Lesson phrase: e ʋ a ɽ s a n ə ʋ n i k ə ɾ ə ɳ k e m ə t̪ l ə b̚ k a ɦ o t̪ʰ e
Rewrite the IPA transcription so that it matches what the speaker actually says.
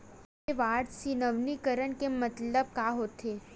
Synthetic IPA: e ʋ a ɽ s i n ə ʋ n i k ə ɾ ə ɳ k e m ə t̪ l ə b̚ k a ɦ o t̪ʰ e